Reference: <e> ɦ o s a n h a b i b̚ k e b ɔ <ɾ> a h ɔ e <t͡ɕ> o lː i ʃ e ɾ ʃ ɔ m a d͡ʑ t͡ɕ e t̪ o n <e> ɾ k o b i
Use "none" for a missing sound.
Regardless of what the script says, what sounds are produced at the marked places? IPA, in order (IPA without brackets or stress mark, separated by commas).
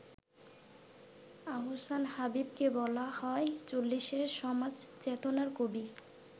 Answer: a, l, t͡ɕ, a